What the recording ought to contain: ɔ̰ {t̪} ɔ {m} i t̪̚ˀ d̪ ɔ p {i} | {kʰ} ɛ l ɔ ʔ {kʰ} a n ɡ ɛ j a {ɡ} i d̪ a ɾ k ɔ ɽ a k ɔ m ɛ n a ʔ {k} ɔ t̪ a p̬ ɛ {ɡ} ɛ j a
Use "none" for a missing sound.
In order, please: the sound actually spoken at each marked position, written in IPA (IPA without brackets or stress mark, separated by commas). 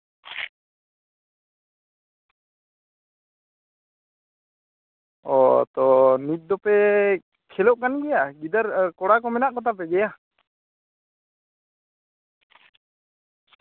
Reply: t̪, n, ɛ, kʰ, k, ɡ, k, ɡ